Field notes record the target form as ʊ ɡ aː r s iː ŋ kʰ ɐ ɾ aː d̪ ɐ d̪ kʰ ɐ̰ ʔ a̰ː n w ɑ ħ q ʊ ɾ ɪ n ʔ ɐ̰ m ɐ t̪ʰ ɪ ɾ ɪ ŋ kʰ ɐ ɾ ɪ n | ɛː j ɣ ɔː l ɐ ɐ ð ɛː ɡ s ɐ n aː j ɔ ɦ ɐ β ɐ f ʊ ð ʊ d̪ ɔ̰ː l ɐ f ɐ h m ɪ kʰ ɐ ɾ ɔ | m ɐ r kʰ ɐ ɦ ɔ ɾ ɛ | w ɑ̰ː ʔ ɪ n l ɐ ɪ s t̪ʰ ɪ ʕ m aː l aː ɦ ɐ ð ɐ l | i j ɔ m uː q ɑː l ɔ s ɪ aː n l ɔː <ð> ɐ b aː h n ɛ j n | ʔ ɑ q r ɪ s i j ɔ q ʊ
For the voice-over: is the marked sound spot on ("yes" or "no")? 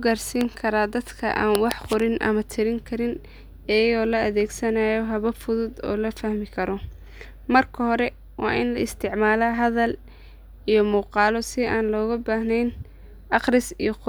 no